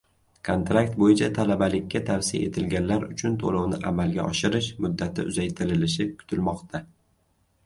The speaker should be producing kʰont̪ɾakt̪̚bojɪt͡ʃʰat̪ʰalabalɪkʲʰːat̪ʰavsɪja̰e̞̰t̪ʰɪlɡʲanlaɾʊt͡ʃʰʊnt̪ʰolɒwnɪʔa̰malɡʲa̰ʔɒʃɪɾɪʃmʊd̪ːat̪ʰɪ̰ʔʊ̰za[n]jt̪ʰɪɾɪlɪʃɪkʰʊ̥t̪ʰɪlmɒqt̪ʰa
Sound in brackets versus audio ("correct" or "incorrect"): incorrect